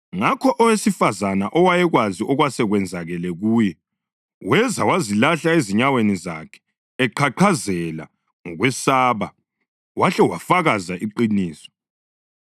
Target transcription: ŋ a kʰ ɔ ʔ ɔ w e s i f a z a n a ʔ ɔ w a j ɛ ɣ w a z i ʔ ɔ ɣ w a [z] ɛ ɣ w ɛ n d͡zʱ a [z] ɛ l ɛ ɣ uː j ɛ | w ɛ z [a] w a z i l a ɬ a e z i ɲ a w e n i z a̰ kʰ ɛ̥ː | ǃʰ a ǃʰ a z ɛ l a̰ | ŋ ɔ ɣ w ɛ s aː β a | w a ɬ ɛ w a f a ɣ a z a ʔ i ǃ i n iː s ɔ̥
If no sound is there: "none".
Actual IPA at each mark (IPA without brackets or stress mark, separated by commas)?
s, ɣ, a